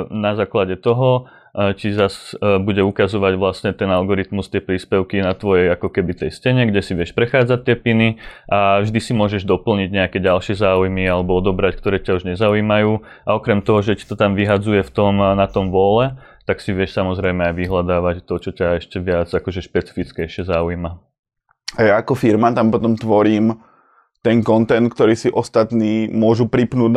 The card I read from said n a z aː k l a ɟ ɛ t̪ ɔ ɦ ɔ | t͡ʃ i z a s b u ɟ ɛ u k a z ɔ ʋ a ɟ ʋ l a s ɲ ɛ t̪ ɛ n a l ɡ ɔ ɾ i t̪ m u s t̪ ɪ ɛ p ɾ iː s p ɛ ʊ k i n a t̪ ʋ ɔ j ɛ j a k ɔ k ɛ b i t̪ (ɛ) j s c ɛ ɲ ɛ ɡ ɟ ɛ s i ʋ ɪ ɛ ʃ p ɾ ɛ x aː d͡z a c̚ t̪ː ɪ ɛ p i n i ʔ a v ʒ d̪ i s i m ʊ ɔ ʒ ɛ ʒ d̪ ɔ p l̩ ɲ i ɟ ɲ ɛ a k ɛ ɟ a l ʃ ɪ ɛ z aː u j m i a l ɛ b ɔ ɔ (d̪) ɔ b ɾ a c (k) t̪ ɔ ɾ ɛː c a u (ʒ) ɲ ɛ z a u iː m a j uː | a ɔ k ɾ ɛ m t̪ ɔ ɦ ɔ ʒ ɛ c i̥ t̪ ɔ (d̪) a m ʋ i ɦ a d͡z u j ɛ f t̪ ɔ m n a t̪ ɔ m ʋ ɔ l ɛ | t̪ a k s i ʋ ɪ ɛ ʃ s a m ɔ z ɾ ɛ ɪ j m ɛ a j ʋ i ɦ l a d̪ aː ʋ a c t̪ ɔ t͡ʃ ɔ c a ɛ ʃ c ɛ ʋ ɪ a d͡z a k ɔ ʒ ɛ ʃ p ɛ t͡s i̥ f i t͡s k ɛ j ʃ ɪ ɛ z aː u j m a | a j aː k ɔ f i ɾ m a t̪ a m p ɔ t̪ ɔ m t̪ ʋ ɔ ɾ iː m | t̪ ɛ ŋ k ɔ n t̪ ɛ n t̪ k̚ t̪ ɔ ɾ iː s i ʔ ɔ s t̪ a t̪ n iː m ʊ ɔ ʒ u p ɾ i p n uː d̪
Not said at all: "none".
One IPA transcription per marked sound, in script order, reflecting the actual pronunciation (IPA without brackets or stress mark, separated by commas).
ɛ, d̪, k, ʒ, t̪